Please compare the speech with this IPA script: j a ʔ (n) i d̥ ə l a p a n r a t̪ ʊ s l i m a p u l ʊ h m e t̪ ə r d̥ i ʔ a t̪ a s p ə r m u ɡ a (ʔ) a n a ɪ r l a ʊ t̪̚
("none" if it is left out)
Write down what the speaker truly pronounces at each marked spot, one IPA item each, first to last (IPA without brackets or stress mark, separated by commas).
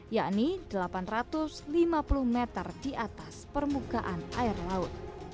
n, ʔ